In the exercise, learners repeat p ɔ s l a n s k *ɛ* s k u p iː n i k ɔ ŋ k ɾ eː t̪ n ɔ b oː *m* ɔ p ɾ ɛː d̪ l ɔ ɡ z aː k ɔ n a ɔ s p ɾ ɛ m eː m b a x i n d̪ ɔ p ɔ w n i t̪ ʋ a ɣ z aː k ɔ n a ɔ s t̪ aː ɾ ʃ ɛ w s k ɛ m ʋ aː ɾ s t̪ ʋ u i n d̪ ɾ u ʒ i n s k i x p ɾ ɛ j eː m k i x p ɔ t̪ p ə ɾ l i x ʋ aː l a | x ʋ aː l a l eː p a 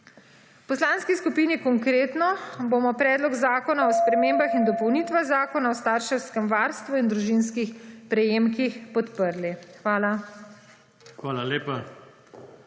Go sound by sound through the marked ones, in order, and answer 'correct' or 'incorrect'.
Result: incorrect: i, correct

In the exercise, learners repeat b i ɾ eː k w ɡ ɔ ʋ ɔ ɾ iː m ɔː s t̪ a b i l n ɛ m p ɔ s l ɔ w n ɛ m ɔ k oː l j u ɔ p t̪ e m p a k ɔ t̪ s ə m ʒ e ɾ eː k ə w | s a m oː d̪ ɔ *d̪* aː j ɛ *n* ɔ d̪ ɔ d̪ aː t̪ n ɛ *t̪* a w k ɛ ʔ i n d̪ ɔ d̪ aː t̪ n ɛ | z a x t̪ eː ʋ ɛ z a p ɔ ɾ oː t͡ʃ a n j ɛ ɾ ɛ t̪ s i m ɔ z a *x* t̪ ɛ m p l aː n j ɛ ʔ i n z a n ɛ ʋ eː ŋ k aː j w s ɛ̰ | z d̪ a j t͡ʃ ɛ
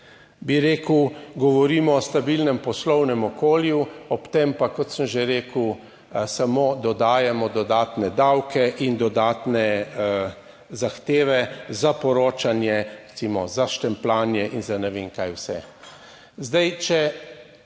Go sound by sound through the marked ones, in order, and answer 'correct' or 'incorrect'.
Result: correct, incorrect: m, incorrect: d̪, incorrect: ʃ

